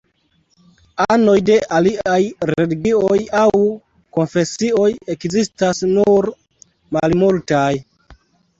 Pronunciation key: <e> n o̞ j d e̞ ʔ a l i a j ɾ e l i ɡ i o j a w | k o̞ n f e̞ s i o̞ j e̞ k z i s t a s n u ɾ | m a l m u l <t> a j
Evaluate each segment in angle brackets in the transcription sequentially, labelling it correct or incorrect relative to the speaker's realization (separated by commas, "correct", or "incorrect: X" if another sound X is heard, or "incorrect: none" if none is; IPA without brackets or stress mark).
incorrect: a, correct